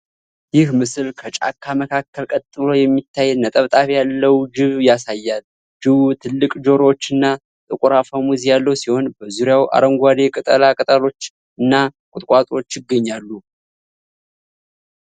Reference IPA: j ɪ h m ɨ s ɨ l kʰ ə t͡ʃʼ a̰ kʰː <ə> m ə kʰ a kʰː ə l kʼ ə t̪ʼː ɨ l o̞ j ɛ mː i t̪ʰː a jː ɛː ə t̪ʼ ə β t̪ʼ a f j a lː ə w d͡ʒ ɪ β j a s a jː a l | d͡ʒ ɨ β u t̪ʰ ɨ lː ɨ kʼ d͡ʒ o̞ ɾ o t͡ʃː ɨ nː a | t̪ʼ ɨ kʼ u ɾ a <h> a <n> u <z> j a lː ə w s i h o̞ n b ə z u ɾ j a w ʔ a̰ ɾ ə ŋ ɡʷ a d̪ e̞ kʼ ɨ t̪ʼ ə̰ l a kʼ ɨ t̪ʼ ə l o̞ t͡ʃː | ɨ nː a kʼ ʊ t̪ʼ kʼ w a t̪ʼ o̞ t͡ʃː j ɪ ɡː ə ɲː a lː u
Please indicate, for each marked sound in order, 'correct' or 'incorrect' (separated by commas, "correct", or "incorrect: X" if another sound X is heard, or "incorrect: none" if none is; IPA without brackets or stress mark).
incorrect: a, incorrect: f, incorrect: m, correct